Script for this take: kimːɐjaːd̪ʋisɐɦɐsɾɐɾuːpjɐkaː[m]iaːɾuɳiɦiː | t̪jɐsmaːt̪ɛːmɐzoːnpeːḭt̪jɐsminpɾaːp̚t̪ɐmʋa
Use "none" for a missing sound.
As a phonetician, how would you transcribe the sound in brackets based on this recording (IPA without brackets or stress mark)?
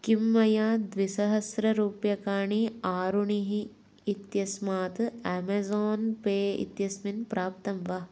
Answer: ɳ